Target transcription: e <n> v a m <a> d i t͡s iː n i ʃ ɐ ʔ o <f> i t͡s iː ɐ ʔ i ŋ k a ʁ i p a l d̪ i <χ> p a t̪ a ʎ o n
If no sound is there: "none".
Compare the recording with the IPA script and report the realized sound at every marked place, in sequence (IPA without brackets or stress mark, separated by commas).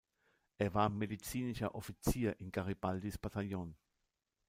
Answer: none, e, f, s